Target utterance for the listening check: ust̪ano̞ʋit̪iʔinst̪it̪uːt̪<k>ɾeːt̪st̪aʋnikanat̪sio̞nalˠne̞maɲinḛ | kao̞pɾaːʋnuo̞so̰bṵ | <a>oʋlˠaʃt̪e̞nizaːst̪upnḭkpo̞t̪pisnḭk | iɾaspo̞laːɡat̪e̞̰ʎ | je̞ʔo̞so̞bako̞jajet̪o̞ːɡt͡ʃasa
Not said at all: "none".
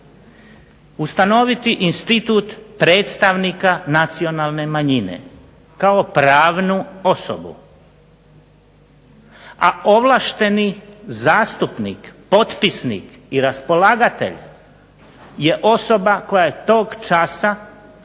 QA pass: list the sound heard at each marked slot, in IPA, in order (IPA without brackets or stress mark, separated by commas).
p, a